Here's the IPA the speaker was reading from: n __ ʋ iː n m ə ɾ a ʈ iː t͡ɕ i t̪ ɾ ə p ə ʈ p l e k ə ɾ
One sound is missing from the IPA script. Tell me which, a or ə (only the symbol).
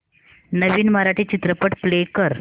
ə